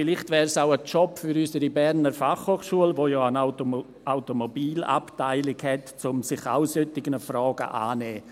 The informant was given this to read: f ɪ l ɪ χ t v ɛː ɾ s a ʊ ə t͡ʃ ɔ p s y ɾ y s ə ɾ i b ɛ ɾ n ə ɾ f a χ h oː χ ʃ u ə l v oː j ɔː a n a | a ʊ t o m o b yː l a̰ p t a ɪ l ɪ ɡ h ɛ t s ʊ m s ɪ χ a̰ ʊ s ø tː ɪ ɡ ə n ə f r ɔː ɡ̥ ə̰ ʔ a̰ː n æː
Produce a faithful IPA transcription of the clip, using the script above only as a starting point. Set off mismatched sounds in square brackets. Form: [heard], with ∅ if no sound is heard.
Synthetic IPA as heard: f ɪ l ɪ χ t v ɛː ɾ s a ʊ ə t͡ʃ ɔ p [f] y ɾ y s ə ɾ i b ɛ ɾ n ə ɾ f a χ h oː χ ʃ u ə l v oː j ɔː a n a | a ʊ t o m o b [iː] l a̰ p t a ɪ l ɪ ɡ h ɛ t [t͡s] ʊ m s ɪ χ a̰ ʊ s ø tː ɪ ɡ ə n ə f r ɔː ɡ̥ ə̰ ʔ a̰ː n [ɛː]